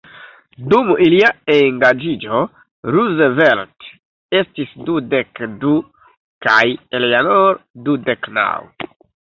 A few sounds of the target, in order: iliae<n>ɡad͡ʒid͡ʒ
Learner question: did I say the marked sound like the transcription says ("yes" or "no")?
no